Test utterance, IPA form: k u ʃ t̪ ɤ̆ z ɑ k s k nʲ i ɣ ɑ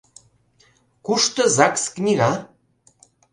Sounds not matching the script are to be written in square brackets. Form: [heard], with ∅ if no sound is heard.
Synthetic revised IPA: k u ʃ t̪ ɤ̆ z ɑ k s k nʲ i ɣ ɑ

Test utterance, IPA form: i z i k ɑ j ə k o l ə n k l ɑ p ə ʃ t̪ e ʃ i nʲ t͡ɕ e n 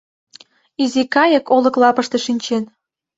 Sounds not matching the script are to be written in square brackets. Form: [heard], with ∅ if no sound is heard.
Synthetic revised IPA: i z i k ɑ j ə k o l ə [∅] k l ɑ p ə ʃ t̪ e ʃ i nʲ t͡ɕ e n

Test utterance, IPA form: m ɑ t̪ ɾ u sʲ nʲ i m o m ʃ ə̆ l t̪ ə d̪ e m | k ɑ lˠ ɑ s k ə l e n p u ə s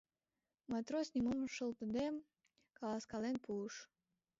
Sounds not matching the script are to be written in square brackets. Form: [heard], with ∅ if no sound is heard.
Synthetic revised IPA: m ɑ t̪ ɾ [o] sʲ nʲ i m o m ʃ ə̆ l t̪ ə d̪ e m | k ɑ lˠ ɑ s k [ɑ] l e n p u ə [ʃ]

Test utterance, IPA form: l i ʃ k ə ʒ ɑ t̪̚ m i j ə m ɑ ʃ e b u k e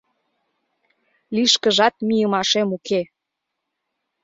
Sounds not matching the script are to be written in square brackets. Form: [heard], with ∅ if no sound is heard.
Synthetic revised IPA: l i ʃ k ə ʒ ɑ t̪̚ m i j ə m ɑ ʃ e [m] u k e

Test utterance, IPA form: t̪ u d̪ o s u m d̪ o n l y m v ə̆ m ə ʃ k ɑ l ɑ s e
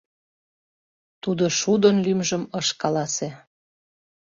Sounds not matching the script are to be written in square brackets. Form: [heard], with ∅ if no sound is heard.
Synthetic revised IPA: t̪ u d̪ o [ʃ] u [∅] d̪ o n l y m [ʒ] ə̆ m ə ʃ k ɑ l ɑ s e

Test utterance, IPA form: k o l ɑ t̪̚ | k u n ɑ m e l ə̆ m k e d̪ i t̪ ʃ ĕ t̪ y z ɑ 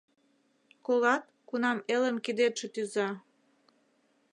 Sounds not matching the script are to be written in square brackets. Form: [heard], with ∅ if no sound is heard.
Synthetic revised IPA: k o l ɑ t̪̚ | k u n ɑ m e l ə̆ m k [i] d̪ [e] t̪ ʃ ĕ t̪ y z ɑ

